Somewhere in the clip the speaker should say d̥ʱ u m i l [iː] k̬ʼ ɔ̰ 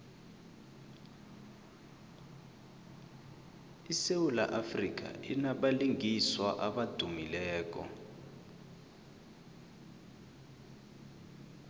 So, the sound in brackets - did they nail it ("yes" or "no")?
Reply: no